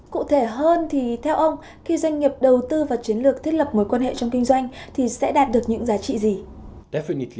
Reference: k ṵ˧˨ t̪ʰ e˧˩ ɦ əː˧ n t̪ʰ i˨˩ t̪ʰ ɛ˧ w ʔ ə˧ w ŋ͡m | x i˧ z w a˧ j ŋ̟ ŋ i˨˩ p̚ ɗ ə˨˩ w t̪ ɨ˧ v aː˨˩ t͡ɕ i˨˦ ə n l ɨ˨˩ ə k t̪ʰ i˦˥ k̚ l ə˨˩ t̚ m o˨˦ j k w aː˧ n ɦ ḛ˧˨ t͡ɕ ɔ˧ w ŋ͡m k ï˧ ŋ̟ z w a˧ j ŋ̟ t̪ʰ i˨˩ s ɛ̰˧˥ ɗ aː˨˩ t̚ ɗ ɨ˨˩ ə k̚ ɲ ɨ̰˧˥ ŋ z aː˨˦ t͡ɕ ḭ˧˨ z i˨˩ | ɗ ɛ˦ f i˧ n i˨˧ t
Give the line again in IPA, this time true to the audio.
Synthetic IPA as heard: k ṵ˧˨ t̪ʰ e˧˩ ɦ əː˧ n t̪ʰ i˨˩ t̪ʰ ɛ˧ w ʔ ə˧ w ŋ͡m | x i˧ z w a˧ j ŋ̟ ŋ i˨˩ p̚ ɗ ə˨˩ w t̪ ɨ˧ v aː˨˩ t͡ɕ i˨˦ ə n l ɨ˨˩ ə k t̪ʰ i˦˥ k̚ l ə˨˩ p̚ m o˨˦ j k w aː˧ n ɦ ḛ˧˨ t͡ɕ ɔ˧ w ŋ͡m k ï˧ ŋ̟ z w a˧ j ŋ̟ t̪ʰ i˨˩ s ɛ̰˧˥ ɗ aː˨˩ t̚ ɗ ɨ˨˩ ə k̚ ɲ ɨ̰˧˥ ŋ z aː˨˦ t͡ɕ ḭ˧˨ z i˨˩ | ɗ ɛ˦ f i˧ n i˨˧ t